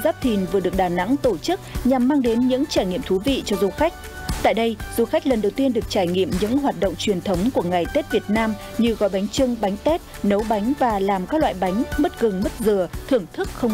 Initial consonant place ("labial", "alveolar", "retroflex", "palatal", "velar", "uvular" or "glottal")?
alveolar